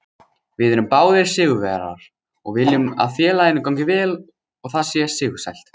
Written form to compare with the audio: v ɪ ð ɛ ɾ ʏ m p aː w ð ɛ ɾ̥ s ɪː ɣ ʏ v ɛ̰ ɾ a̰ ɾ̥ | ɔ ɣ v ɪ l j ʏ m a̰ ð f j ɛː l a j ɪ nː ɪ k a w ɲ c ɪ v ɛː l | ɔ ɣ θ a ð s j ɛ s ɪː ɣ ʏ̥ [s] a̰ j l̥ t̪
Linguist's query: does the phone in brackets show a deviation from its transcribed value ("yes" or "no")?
no